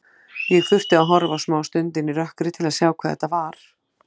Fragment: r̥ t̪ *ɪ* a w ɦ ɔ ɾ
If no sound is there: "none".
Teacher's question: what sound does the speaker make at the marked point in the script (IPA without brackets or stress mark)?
ɪ